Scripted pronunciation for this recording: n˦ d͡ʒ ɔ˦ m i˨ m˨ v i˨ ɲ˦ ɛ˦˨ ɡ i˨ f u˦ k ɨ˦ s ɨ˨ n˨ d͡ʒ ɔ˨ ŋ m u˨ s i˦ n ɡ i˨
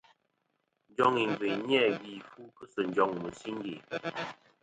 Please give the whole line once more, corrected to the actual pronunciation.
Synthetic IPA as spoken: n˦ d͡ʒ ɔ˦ ŋ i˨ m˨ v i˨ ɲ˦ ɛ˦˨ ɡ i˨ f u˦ k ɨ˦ s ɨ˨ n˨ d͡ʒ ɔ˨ ŋ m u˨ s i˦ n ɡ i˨

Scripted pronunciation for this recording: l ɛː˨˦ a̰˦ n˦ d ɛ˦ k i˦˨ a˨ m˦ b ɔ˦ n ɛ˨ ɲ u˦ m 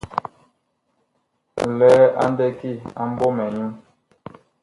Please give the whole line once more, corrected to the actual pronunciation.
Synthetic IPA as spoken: l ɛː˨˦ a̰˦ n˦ d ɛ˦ k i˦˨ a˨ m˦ b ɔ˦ m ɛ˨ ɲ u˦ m

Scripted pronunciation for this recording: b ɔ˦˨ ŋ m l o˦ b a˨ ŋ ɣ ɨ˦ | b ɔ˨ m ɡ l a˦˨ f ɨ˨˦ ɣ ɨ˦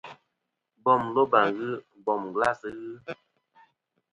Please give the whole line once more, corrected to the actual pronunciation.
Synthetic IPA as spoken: b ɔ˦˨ m l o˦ b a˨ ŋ ɣ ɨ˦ | b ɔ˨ m ɡ l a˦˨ s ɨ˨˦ ɣ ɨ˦

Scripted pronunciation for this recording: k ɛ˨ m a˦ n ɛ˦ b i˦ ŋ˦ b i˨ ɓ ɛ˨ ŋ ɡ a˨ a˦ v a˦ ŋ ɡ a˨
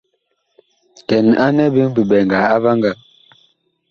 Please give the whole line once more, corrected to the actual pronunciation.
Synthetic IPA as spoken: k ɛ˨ n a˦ n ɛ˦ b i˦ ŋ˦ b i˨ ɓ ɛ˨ ŋ ɡ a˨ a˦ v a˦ ŋ ɡ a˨

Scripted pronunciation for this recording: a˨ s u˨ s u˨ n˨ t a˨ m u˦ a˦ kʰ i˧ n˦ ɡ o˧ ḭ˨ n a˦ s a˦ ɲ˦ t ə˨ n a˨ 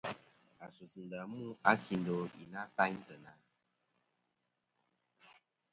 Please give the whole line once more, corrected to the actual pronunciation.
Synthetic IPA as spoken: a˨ s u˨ s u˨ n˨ d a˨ m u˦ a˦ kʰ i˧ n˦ d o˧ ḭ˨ n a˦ s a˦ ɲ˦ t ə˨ n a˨

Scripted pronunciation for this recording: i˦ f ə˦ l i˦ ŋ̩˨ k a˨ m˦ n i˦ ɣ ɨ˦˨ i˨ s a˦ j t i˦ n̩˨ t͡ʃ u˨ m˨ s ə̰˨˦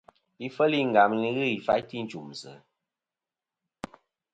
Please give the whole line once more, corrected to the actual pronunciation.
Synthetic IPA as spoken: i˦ f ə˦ l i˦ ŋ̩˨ ɡ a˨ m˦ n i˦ ɣ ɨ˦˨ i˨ f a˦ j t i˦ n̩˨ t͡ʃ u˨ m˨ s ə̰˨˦

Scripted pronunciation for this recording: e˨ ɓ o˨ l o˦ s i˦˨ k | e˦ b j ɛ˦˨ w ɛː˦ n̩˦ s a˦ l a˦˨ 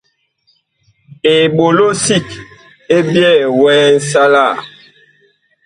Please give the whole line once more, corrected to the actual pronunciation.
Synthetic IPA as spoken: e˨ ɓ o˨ l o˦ s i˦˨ k | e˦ b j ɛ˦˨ w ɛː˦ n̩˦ s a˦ l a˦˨

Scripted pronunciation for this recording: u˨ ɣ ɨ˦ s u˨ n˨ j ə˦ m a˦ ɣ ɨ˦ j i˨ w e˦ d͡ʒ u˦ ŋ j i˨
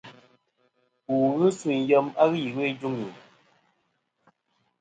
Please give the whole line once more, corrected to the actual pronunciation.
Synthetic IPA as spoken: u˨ ɣ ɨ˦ s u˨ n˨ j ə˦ m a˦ ɣ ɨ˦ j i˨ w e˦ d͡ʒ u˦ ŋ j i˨

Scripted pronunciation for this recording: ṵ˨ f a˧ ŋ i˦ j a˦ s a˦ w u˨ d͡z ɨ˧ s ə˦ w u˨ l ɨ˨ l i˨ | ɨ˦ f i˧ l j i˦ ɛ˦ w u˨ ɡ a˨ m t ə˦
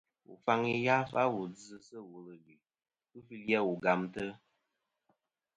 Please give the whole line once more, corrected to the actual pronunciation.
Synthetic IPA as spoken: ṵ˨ f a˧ ŋ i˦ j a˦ f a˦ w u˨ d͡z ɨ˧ s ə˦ w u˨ l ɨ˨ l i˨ | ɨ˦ f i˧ l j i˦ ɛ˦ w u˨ ɡ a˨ m t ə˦

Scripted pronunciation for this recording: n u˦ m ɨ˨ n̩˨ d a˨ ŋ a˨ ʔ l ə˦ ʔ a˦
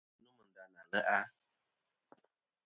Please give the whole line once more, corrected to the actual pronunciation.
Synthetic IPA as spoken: n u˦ m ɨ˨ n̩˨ d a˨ n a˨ l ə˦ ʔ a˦

